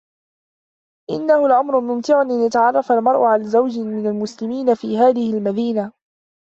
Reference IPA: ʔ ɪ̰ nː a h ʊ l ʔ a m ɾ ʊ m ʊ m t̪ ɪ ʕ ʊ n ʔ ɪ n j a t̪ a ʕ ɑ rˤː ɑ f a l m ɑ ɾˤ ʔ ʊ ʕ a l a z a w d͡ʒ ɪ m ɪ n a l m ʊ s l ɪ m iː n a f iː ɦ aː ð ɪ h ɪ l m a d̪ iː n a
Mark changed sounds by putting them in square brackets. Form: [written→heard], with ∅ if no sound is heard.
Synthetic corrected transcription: ʔ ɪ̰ nː a h ʊ l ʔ a m ɾ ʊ m ʊ m t̪ ɪ ʕ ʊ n ʔ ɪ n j a t̪ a ʕ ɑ rˤː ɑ f a l m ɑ ɾˤ ʔ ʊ ʕ a l a z a w d͡ʒ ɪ m ɪ n a l m ʊ s l ɪ m iː n a f iː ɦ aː ð ɪ h ɪ l m a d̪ iː n a